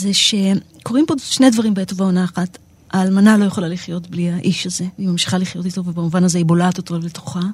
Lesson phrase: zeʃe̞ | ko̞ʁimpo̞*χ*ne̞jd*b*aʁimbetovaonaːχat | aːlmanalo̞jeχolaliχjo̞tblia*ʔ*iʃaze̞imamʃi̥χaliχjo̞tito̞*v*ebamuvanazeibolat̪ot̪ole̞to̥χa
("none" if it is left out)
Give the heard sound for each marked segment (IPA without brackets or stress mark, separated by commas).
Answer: ʃ, v, ʔ, v